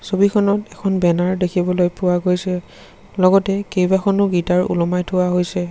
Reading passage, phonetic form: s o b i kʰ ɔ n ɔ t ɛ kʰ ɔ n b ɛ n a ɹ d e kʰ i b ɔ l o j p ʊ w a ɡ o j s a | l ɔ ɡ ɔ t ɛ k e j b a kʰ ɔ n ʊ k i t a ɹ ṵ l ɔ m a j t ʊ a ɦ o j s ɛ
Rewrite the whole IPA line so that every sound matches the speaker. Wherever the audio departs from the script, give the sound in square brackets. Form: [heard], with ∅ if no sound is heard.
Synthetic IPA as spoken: s o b i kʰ ɔ n ɔ t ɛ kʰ ɔ n b ɛ n a ɹ d e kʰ i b ɔ l o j p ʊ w a ɡ o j s [ɛ] | l ɔ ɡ ɔ t ɛ k e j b a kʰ ɔ n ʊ [ɡ] i t a ɹ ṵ l ɔ m a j [tʰ] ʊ a ɦ o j s ɛ